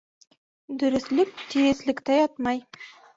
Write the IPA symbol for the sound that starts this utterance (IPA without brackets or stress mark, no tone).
d̪